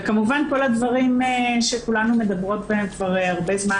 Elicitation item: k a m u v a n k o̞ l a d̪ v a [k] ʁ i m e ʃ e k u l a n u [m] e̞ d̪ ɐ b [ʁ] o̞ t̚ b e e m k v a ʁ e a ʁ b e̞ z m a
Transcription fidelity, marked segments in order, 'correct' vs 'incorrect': incorrect: none, correct, correct

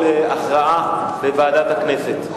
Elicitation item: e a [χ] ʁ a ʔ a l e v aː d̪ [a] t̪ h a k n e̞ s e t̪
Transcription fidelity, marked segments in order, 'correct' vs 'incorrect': correct, correct

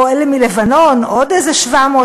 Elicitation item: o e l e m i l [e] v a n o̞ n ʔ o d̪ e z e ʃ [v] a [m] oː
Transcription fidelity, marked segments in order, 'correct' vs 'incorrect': correct, correct, correct

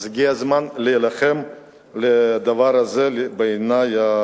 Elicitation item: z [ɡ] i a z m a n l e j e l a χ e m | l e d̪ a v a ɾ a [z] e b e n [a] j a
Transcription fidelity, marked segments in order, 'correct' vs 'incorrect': correct, correct, correct

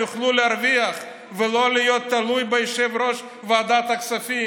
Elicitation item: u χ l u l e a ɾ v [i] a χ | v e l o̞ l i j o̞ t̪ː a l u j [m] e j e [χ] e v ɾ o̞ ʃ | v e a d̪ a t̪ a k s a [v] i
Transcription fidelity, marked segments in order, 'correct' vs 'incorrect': correct, incorrect: b, incorrect: ʃ, incorrect: f

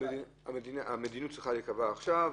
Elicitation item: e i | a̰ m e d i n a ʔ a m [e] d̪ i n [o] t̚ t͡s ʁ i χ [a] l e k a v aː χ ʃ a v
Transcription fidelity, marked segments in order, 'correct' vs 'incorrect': correct, incorrect: u, correct

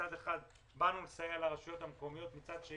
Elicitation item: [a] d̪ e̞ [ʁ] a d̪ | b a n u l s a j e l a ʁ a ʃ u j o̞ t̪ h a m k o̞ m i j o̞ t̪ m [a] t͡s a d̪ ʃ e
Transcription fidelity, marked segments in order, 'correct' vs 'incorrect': correct, incorrect: χ, incorrect: i

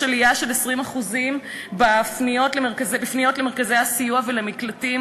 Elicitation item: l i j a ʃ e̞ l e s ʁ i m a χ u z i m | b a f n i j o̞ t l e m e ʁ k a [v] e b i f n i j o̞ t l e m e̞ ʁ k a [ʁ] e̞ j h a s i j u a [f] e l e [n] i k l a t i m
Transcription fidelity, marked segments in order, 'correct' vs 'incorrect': incorrect: z, incorrect: z, incorrect: v, incorrect: m

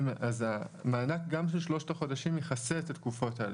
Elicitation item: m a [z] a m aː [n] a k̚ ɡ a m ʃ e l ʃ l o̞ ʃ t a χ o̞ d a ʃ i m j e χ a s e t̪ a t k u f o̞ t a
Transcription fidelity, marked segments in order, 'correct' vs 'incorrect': correct, correct

